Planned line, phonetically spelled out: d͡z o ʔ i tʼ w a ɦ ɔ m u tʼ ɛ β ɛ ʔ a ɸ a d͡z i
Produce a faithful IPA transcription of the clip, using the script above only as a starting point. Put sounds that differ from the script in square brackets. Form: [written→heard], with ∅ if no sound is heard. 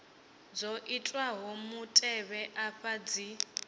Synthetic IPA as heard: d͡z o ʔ i tʼ w a ɦ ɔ m u tʼ ɛ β ɛ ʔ a ɸ a d͡z i

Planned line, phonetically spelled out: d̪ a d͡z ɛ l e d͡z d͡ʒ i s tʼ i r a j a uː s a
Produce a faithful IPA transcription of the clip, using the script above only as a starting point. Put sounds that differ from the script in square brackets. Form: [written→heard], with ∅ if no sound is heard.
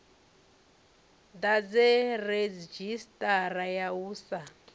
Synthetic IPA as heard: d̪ a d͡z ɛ [l→r] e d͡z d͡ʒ i s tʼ [i→a] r a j a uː s a

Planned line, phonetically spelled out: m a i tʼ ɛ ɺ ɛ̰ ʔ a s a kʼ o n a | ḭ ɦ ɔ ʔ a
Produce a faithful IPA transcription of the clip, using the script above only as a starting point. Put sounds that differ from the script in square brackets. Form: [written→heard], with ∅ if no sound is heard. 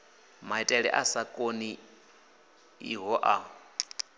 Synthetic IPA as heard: m a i tʼ ɛ ɺ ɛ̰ ʔ a s a kʼ o n [a→i] | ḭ ɦ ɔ ʔ a

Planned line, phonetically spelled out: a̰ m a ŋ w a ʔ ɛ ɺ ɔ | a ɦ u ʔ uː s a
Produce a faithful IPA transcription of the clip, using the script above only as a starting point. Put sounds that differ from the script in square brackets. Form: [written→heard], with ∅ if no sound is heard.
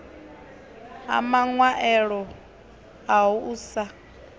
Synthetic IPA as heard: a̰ m a ŋ w a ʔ ɛ ɺ ɔ | a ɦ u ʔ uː s a

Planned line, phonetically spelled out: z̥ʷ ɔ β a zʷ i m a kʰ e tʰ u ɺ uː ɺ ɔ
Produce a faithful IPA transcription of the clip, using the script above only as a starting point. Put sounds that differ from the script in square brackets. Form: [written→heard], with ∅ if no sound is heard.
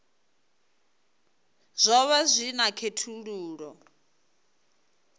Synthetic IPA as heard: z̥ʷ ɔ β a zʷ i [m→n] a kʰ e tʰ u ɺ uː ɺ ɔ

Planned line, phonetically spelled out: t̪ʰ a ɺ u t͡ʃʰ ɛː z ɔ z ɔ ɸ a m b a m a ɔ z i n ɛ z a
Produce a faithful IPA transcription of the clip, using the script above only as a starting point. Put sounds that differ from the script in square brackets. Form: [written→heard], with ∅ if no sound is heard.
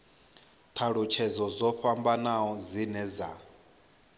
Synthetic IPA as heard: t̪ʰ a ɺ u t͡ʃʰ [ɛː→ɛ] z ɔ z ɔ ɸ a m b a [m→n] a ɔ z i n ɛ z a

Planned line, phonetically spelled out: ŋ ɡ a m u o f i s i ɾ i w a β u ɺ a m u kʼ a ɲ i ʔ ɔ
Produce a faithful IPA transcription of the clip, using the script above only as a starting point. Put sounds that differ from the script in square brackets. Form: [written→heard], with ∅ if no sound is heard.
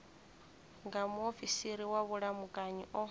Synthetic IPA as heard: ŋ ɡ a m u o f i s i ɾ i w a β u ɺ a m u kʼ a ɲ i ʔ ɔ

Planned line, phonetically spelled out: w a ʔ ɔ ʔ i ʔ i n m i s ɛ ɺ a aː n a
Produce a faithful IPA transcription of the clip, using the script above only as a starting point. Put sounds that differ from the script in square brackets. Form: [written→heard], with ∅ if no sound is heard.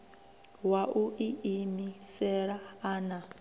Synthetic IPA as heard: w a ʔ [ɔ→u] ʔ i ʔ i [n→∅] m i s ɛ ɺ a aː n a

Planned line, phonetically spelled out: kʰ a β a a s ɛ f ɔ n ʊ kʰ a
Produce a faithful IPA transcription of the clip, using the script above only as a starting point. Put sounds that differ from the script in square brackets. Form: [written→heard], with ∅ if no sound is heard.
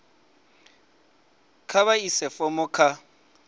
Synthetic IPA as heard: kʰ a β a [a→i] s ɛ f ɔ [n→m] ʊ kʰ a

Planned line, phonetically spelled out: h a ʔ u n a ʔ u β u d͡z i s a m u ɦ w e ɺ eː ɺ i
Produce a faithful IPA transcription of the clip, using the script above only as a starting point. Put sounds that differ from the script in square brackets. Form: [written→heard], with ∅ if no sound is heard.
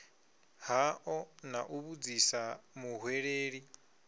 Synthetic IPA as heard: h a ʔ [u→ɔ] n a ʔ u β u d͡z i s a m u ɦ w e ɺ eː ɺ i

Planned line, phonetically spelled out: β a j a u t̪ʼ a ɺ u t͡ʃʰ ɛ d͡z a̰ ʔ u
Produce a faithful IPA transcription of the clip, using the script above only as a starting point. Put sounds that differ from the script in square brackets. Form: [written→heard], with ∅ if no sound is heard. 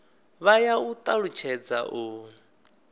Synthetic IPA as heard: β a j a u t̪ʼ a ɺ u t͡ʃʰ ɛ d͡z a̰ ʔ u

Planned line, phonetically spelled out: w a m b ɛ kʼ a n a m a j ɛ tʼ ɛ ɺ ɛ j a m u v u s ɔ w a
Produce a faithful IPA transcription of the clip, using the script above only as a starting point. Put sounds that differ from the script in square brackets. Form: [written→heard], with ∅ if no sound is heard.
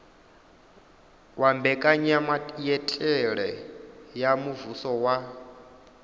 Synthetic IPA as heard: w a m b ɛ kʼ a [n→ɲ] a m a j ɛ tʼ ɛ ɺ ɛ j a m u v u s ɔ w a

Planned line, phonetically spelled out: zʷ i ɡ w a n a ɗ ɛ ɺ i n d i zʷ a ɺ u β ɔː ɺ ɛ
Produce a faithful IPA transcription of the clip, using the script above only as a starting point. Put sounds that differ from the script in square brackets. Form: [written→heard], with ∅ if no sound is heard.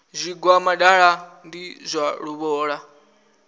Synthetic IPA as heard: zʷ i ɡ w a [n→m] a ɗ [ɛ→a] ɺ [i→a] n d i zʷ a ɺ u β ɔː ɺ [ɛ→a]

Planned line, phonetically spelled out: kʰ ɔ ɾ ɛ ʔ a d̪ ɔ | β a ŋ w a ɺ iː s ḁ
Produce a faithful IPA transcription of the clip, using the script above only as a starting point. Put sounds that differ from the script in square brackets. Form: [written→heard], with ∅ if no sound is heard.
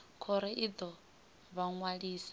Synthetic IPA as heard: kʰ ɔ ɾ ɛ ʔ [a→i] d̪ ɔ | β a ŋ w a ɺ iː s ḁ

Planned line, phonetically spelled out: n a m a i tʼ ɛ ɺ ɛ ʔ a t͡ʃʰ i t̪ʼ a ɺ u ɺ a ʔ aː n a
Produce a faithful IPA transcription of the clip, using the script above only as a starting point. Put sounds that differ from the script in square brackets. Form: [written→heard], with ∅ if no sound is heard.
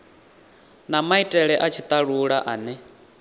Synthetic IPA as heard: n a m a i tʼ ɛ ɺ ɛ ʔ a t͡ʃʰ i t̪ʼ a ɺ u ɺ a ʔ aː n [a→ɛ]

